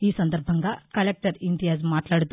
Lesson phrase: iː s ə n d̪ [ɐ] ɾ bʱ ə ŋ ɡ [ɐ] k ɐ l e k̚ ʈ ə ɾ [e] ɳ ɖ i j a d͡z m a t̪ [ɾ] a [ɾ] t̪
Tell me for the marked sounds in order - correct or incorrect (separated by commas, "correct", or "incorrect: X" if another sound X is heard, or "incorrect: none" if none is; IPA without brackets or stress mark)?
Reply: incorrect: ə, incorrect: a, incorrect: i, incorrect: l, incorrect: ɽ